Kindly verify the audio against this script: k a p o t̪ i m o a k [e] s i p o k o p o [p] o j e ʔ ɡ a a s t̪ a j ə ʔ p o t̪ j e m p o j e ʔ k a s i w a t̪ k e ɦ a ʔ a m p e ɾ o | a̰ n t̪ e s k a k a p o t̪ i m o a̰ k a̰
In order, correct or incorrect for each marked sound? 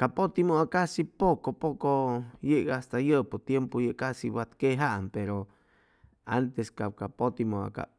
incorrect, incorrect

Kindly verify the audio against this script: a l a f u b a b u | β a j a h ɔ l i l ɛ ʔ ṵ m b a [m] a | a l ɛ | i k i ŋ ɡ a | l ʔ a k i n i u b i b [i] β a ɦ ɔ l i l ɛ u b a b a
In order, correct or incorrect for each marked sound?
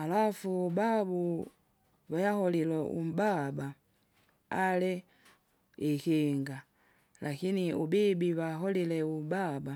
incorrect, correct

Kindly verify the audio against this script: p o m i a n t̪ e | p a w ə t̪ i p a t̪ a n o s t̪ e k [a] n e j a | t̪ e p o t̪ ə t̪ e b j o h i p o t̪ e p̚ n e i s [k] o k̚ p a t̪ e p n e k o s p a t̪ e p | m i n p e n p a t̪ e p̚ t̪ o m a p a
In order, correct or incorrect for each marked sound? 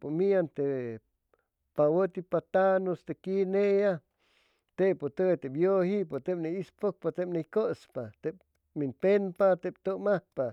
incorrect, incorrect

